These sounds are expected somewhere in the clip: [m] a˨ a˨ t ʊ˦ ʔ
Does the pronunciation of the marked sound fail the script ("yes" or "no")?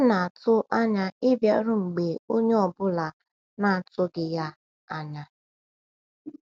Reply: yes